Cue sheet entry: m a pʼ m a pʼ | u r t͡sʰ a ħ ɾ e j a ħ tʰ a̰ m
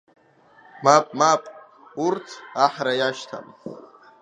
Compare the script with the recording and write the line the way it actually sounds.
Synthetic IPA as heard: m a pʼ m a pʼ | u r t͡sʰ a ħ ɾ a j a ʃ tʰ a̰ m